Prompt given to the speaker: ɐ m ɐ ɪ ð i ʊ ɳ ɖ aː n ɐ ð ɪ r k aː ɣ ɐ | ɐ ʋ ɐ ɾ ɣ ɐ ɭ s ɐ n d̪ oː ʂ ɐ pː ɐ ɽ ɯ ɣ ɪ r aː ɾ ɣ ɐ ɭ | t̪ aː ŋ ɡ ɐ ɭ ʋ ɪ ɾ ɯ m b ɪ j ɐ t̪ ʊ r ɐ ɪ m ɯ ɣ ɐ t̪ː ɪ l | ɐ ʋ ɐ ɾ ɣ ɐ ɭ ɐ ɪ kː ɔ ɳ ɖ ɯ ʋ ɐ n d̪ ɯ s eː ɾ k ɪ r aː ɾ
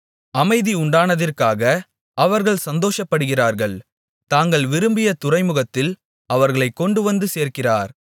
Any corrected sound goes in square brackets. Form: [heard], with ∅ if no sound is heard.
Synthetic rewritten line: ɐ m ɐ ɪ ð i ʊ ɳ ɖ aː n ɐ ð ɪ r k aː ɣ ɐ | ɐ ʋ ɐ ɾ ɣ ɐ ɭ s ɐ n d̪ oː ʂ ɐ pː ɐ ɽ ɯ ɣ ɪ r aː ɾ ɣ ɐ ɭ | t̪ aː ŋ ɡ ɐ ɭ ʋ ɪ ɾ ɯ m b ɪ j ɐ t̪ ʊ r ɐ ɪ m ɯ ɣ ɐ t̪ː ɪ l | ɐ ʋ ɐ ɾ ɣ ɐ ɭ ɐ ɪ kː ɔ ɳ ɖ ɯ ʋ ɐ n d̪ ɯ s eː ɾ k ɪ r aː ɾ